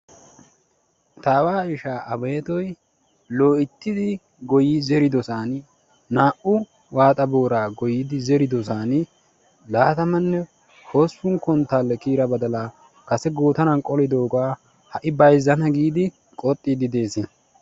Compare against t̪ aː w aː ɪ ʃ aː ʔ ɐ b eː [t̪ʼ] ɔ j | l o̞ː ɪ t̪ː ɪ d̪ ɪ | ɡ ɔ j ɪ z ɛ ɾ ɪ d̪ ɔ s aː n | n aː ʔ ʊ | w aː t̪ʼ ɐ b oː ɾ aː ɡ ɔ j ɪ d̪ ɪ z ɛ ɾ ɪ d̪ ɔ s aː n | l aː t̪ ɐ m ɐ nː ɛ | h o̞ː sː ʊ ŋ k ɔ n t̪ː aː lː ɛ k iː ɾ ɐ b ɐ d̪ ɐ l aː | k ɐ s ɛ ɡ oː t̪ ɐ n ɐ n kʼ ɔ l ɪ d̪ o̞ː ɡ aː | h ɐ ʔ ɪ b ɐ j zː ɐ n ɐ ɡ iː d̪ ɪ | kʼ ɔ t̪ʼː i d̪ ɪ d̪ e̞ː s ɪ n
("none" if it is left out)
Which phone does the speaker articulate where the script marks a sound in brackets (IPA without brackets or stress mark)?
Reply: t̪